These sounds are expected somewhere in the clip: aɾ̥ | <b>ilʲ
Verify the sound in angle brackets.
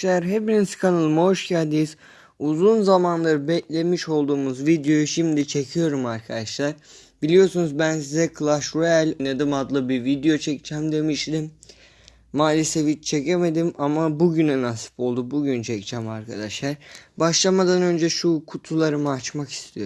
correct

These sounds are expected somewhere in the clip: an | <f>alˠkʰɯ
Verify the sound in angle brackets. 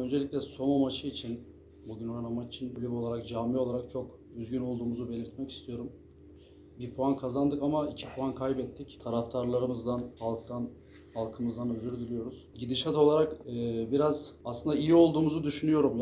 incorrect: h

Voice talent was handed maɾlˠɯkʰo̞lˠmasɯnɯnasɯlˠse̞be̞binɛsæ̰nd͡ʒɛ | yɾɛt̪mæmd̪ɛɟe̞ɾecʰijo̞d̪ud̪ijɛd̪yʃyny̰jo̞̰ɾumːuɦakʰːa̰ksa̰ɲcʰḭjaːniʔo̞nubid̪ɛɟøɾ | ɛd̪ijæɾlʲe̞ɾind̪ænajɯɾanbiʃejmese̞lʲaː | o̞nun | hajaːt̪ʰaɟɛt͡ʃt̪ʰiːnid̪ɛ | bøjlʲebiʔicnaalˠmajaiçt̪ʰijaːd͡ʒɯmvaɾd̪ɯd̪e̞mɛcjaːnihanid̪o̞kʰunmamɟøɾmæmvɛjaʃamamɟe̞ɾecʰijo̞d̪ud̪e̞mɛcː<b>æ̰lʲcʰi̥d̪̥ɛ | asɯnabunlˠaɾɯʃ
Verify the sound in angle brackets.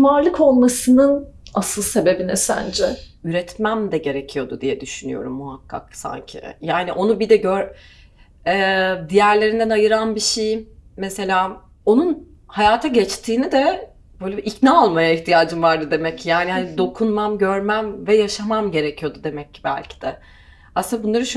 correct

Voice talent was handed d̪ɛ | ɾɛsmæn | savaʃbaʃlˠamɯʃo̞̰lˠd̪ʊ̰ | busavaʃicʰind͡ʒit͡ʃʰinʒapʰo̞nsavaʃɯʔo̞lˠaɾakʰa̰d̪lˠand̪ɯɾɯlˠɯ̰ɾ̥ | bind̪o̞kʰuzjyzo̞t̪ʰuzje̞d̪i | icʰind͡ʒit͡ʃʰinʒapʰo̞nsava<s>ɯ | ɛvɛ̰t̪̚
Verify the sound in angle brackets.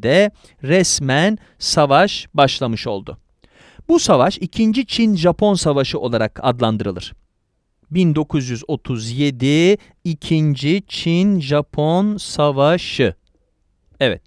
incorrect: ʃ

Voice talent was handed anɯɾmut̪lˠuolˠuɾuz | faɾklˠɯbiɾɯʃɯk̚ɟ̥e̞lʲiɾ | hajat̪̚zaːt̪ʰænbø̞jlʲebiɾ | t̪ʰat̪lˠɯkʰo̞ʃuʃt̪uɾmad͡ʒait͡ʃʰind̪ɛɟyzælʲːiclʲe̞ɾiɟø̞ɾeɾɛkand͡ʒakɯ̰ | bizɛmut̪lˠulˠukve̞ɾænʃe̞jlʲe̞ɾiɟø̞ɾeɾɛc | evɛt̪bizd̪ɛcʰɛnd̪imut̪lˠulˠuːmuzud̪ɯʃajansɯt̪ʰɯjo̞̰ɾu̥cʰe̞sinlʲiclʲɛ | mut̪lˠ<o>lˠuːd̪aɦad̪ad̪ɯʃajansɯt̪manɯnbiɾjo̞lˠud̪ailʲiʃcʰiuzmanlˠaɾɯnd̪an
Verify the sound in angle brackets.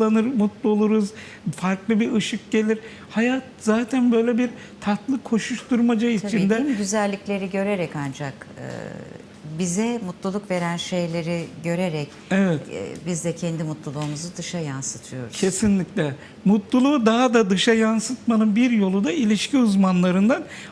incorrect: u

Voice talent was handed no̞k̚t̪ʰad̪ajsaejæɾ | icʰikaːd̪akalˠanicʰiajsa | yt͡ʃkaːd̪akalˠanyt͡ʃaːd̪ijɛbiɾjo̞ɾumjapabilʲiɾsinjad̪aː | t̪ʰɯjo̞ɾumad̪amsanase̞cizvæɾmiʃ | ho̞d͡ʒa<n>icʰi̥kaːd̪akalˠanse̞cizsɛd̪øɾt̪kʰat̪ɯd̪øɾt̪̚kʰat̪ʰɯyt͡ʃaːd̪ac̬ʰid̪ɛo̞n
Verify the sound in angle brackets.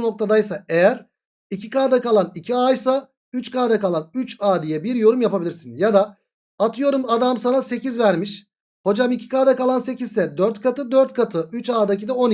incorrect: m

